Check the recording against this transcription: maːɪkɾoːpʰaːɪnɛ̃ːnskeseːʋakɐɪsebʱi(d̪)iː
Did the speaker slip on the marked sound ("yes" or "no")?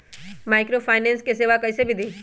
no